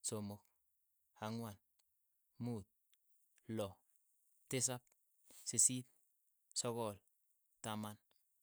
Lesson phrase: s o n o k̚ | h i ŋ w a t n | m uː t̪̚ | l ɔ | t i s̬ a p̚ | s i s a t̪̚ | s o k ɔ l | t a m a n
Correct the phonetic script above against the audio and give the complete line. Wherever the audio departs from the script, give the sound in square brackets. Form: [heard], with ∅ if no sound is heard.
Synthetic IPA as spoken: s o [m] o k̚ | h [a] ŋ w a [∅] n | m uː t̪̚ | l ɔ | t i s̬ a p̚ | s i s [i] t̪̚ | s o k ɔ l | t a m a n